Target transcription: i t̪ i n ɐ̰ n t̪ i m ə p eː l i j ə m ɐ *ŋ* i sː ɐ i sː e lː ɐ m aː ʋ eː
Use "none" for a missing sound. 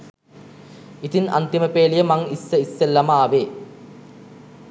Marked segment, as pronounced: ŋ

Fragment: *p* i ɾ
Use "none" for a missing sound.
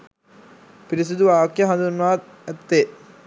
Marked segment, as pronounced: p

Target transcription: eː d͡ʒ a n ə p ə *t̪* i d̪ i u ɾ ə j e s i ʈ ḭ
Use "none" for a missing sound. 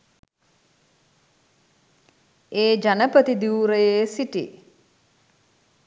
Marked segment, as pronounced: t̪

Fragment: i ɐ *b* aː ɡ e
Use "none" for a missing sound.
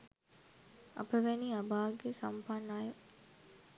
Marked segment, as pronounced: b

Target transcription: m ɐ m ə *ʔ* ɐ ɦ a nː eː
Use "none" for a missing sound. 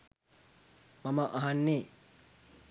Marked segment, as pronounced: ʔ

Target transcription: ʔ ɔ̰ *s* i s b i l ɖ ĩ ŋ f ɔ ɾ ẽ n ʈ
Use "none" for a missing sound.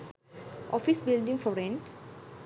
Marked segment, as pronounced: f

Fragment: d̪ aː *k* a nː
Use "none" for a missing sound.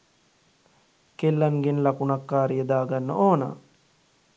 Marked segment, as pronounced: ɡ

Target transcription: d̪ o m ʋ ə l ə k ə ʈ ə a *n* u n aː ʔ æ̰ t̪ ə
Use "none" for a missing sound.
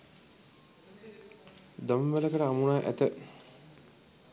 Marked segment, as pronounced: m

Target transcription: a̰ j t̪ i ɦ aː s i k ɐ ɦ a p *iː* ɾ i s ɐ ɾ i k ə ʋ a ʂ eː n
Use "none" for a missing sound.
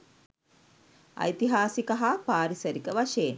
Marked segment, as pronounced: aː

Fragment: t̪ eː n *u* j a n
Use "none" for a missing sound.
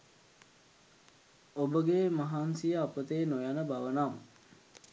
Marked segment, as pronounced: o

